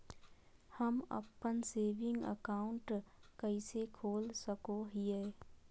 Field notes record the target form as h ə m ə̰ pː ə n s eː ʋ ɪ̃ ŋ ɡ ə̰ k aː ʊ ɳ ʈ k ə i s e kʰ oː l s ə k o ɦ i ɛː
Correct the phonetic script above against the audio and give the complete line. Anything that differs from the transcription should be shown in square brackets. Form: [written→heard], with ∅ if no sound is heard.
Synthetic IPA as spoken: h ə m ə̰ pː ə n s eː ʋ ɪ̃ ŋ ɡ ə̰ k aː ʊ ɳ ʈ k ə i s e kʰ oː l s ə k o ɦ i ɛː